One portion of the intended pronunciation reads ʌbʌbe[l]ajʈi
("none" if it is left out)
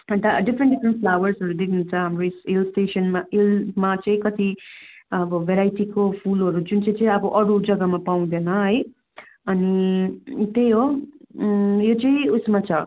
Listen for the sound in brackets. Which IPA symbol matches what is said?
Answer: ɾ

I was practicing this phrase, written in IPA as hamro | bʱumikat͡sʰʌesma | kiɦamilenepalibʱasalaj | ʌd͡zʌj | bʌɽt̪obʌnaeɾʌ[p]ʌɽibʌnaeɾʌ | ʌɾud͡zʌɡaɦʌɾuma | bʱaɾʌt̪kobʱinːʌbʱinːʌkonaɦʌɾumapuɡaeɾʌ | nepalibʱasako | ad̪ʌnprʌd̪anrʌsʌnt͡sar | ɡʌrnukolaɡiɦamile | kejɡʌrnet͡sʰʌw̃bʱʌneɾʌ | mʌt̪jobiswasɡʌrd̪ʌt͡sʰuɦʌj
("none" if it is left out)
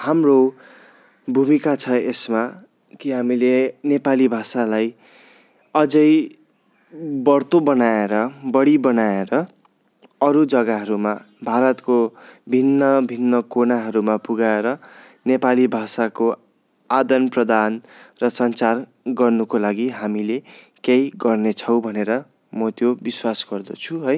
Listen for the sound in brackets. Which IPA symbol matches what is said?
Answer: b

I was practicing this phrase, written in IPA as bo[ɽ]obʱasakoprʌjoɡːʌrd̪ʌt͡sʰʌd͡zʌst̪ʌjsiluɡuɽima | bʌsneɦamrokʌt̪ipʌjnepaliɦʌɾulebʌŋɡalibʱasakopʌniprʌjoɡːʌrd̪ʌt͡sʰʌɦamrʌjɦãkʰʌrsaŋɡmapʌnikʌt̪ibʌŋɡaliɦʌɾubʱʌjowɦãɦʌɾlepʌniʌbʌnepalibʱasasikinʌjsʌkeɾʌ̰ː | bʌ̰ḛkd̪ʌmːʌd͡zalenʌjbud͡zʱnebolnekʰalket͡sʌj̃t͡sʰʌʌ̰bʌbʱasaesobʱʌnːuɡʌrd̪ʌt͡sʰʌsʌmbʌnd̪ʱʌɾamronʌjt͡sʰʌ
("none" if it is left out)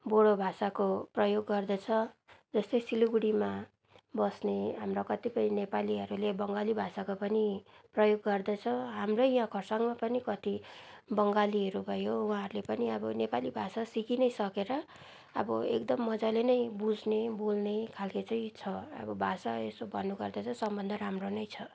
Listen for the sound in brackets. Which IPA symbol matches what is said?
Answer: ɽ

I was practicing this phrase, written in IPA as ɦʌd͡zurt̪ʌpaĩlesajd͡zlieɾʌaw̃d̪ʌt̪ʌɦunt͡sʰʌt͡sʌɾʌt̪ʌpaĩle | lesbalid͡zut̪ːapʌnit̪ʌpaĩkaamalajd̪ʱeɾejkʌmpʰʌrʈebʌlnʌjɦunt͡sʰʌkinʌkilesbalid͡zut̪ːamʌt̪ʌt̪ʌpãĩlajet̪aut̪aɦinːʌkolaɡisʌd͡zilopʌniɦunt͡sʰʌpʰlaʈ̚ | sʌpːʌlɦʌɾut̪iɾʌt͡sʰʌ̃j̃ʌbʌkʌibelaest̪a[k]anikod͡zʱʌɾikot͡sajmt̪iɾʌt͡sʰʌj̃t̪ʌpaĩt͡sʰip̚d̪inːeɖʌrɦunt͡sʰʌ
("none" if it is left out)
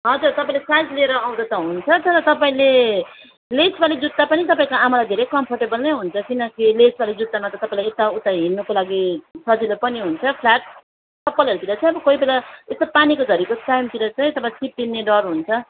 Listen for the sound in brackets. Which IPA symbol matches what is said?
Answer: p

